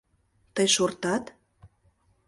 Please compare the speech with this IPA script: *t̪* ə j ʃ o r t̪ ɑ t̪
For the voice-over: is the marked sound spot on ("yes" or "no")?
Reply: yes